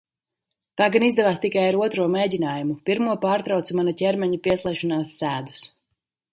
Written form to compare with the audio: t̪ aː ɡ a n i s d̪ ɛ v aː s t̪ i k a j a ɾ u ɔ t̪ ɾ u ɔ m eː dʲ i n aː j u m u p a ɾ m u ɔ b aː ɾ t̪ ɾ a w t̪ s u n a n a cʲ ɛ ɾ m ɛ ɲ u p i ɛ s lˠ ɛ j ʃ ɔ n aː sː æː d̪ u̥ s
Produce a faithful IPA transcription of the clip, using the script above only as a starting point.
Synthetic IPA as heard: t̪ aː ɡ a n i z d̪ ɛ v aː s t̪ i k a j a ɾ u ɔ t̪ ɾ u ɔ m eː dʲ i n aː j u m u p i ɾ m u ɔ p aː ɾ t̪ ɾ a w t̪ s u m a n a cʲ ɛ ɾ m ɛ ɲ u p i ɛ s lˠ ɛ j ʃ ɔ n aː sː æː d̪ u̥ s